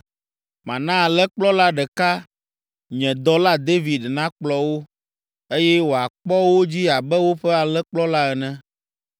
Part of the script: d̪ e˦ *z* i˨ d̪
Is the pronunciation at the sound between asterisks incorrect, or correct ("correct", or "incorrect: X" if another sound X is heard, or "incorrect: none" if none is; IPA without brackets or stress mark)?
incorrect: v